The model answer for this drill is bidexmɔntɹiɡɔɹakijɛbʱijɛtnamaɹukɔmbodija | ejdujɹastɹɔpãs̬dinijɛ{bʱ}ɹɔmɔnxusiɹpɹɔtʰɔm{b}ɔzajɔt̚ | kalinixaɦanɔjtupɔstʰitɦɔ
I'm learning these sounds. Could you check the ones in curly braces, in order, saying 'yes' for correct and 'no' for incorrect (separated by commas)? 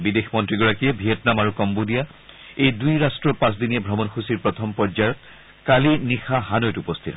yes, no